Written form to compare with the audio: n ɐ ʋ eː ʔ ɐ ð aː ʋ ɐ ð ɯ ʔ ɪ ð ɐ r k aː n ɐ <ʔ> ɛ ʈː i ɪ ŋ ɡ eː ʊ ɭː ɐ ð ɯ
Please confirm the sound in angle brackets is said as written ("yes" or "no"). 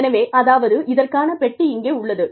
no